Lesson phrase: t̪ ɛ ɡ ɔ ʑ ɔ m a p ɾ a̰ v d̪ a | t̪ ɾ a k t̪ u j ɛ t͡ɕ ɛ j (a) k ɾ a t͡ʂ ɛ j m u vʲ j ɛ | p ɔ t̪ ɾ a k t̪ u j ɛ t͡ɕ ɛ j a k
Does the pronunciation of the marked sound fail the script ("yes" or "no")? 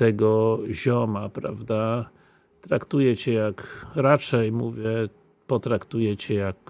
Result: no